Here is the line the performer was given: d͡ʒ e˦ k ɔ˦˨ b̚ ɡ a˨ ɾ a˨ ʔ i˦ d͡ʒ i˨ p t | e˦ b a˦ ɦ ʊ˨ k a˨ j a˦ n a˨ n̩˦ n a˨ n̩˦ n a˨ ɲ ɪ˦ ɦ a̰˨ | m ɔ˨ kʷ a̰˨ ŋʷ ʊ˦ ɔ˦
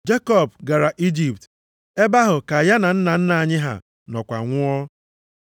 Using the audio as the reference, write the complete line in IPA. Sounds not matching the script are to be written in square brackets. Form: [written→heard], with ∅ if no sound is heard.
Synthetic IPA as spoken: d͡ʒ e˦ k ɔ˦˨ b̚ ɡ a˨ ɾ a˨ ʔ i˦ d͡ʒ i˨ p t | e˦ b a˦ ɦ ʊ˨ k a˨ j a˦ n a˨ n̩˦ n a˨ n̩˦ n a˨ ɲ ɪ˦ ɦ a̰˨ | [m→n] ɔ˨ kʷ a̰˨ ŋʷ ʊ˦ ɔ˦